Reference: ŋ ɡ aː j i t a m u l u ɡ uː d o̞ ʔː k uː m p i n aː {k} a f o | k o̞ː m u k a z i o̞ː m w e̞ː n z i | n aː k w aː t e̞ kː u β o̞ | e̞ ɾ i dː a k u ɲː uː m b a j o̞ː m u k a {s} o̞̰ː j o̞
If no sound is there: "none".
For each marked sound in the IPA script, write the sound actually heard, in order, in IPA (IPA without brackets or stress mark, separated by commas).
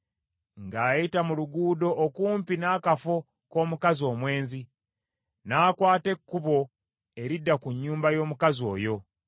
k, z